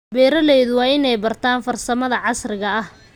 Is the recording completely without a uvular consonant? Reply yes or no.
yes